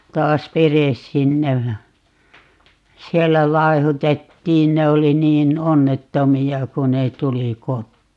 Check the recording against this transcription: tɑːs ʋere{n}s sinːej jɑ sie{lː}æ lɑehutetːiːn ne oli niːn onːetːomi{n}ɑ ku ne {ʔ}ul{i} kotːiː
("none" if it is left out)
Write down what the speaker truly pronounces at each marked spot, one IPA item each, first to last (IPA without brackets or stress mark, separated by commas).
none, lː, none, t, i